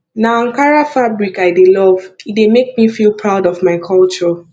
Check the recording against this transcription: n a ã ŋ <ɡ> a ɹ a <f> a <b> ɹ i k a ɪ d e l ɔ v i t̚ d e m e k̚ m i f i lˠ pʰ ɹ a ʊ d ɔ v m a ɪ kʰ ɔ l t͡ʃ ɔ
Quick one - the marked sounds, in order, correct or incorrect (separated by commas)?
incorrect, correct, correct